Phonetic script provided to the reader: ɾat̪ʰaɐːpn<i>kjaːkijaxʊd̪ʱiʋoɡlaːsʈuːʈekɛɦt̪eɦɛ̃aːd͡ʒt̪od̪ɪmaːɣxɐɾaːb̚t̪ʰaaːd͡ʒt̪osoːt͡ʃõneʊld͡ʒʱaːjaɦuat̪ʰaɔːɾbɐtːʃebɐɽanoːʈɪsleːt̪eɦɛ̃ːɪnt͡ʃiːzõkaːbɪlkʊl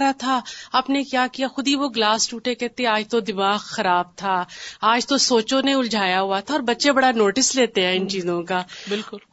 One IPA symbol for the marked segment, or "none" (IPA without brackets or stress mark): e